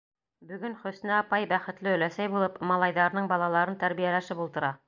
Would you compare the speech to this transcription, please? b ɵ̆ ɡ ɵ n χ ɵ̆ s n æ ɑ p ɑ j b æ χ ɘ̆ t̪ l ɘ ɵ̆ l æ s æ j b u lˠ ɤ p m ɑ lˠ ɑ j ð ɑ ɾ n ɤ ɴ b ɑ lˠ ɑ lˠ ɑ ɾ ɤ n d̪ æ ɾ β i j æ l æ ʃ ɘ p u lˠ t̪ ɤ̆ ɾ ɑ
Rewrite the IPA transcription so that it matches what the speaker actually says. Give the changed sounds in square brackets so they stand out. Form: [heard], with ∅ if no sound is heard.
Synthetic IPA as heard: b ɵ̆ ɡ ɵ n χ ɵ̆ s n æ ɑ p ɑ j b æ χ ɘ̆ t̪ l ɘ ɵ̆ l æ s æ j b u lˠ ɤ p m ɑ lˠ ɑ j ð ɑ ɾ n ɤ ɴ b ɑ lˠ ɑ lˠ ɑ ɾ ɤ n [t̪] æ ɾ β i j æ l æ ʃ ɘ p u lˠ t̪ ɤ̆ ɾ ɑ